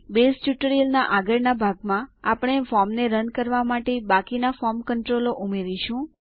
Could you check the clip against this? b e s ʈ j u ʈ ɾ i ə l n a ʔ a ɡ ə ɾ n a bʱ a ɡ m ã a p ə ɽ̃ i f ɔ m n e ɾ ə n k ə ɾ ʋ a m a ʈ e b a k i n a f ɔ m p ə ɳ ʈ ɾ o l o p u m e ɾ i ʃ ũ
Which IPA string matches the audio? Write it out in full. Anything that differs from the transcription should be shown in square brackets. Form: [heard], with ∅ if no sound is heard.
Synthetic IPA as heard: b e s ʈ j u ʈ ɾ i ə l n a ʔ a ɡ ə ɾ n a bʱ a ɡ m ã a p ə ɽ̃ [e] f ɔ m n e ɾ ə n k ə ɾ ʋ a m a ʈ e b a k i n a f ɔ m [k] ə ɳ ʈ ɾ o l o [ʔ] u m e ɾ i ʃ ũ